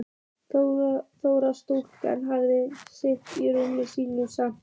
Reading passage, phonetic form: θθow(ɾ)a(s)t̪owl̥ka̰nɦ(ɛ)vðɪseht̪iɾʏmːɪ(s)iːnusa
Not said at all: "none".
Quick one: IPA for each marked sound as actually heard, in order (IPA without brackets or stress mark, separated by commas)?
ɾ, s, a, s